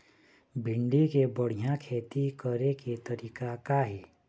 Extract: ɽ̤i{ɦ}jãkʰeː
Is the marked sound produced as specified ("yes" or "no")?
no